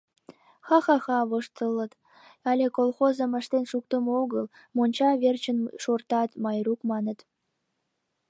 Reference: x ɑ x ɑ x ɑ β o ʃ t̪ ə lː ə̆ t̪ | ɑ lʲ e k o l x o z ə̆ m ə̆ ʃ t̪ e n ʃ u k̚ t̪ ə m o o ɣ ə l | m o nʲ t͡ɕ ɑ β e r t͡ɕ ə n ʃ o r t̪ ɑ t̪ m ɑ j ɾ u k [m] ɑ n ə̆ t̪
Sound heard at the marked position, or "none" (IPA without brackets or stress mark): m